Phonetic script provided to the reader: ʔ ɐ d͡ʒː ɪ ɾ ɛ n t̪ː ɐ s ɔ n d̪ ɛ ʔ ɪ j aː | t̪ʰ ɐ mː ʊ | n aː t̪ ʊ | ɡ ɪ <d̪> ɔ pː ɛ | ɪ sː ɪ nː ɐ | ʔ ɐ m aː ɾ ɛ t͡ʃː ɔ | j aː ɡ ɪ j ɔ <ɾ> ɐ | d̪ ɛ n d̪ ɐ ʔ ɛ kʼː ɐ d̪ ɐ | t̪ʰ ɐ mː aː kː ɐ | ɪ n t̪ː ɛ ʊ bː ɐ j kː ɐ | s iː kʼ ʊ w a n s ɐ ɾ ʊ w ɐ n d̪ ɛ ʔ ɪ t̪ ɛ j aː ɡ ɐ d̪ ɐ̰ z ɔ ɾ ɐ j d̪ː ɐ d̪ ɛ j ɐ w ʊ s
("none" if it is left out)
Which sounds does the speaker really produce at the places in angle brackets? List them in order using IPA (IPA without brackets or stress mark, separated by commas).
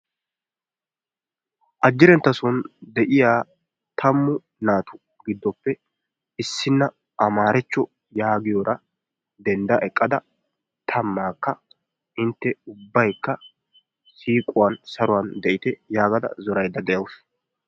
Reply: d̪ː, ɾ